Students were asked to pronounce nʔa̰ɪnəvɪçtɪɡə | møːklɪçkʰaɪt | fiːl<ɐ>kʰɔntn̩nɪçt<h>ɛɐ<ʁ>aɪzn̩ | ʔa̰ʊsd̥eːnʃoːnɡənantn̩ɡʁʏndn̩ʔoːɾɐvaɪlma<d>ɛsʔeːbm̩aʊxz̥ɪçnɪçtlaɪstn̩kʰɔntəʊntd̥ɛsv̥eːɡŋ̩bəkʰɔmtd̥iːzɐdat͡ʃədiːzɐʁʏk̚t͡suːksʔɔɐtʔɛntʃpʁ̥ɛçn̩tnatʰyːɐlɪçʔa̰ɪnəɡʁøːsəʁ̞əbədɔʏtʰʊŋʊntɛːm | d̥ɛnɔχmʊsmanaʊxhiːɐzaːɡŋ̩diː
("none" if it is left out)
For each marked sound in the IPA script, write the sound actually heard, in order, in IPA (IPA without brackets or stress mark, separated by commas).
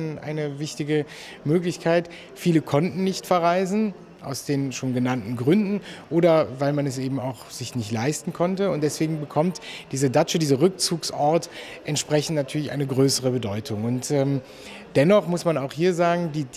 ə, f, ʁ, n